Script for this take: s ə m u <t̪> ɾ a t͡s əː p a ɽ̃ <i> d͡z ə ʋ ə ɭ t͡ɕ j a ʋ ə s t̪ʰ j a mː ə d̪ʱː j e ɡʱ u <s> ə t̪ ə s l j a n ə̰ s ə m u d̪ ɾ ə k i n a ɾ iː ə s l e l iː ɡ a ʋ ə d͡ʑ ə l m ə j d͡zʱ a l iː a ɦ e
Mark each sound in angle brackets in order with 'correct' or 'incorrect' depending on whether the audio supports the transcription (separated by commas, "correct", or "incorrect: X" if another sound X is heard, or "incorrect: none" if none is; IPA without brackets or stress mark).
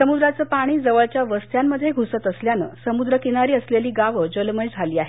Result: incorrect: d̪, incorrect: iː, correct